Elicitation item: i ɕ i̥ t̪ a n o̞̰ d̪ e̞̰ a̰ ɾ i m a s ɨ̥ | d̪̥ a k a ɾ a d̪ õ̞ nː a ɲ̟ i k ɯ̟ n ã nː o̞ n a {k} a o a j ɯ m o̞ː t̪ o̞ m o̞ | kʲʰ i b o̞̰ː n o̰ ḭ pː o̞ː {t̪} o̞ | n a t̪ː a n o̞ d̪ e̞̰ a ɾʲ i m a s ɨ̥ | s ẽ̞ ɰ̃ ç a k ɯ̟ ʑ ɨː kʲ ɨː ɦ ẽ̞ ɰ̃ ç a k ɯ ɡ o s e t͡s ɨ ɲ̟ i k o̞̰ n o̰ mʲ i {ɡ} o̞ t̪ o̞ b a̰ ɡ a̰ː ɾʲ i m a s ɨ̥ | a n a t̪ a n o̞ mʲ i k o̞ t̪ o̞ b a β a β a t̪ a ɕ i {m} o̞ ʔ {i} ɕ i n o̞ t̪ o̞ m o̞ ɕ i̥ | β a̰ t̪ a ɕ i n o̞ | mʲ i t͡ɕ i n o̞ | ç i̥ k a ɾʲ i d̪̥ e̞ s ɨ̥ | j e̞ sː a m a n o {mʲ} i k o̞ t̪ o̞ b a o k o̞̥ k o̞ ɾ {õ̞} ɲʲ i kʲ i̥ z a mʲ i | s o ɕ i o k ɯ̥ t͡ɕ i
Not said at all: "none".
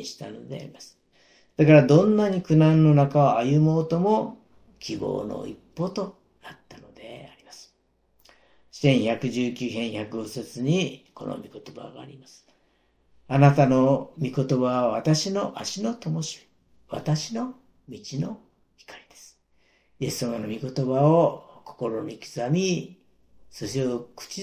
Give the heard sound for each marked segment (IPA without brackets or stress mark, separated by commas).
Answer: k, t̪, k, n, a, mʲ, o̞